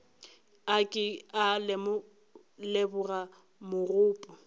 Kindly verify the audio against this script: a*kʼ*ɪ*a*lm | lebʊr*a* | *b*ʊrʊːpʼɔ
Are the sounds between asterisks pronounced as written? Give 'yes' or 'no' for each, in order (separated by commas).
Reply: yes, yes, yes, no